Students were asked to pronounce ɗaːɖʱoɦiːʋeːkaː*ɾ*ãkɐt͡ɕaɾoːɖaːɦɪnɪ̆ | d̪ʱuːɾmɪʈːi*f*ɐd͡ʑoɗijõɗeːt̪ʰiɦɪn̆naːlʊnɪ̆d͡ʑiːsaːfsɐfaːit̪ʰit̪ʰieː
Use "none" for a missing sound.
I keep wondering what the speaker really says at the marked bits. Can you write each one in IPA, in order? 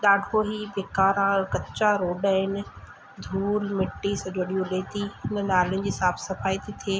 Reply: ɾ, s

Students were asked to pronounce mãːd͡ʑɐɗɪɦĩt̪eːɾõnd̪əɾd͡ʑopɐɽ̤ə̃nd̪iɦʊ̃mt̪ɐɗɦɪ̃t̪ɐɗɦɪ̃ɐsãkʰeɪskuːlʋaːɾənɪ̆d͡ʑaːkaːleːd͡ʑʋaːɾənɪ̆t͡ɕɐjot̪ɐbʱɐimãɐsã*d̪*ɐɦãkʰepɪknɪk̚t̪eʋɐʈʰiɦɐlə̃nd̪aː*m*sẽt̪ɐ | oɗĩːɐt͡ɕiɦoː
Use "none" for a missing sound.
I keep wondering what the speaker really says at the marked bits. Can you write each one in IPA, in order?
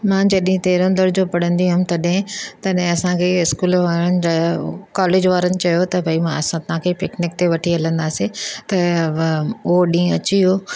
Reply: t̪, none

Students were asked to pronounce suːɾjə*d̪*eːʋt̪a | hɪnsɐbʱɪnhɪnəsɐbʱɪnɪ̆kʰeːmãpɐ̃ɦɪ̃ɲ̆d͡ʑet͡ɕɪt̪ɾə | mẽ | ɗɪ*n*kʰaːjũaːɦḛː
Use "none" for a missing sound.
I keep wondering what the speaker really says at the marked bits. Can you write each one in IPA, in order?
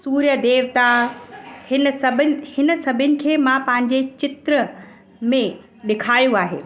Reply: d̪, none

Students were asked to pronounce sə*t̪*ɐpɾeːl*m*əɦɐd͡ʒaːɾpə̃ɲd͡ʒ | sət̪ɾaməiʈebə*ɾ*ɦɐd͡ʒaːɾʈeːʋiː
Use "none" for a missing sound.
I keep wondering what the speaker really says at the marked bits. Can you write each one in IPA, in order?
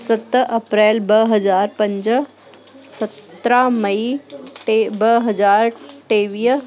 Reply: t̪, b, none

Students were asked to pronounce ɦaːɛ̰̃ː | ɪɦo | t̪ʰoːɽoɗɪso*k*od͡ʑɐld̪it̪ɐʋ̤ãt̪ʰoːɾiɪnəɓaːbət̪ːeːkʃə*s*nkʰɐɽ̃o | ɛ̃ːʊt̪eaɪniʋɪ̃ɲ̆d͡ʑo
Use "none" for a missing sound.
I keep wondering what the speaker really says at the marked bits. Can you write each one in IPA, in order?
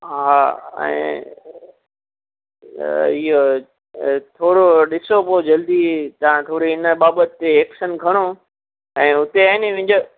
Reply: p, none

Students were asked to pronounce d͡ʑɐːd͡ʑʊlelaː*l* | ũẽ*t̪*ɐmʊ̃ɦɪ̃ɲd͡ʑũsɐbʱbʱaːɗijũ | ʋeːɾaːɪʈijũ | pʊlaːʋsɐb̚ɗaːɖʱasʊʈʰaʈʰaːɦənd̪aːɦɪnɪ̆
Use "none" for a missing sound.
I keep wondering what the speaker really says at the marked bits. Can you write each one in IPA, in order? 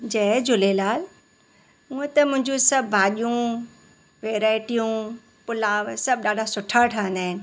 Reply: l, t̪

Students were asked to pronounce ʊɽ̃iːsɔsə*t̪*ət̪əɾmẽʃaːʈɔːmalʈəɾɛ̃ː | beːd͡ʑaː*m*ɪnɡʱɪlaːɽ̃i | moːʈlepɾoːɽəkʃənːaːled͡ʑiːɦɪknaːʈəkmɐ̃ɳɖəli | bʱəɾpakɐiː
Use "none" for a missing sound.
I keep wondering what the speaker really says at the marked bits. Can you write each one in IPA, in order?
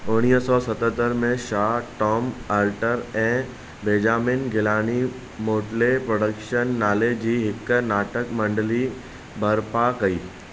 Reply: t̪, m

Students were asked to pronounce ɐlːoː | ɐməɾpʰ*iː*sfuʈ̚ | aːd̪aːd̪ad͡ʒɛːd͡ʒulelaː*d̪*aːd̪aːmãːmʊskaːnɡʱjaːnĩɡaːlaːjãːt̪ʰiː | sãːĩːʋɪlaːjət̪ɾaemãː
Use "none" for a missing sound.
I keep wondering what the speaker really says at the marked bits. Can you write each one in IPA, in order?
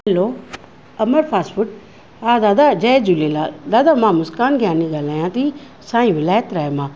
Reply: aː, d̪

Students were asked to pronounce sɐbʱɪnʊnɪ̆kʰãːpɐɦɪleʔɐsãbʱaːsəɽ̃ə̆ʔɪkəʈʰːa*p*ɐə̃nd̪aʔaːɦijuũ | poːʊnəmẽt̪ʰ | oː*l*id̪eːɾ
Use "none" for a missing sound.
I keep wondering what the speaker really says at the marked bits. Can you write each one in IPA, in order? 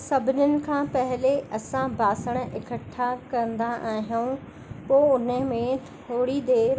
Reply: k, ɽ

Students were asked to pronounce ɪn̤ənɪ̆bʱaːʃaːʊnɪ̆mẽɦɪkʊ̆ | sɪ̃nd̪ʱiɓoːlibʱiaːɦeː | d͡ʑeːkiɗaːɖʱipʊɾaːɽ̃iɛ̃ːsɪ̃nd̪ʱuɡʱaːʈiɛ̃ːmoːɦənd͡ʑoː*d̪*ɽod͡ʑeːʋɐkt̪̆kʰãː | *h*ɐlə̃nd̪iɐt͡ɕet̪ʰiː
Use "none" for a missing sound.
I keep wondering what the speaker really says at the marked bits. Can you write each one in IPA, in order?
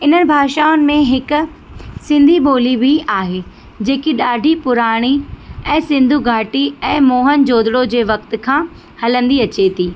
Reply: d̪, h

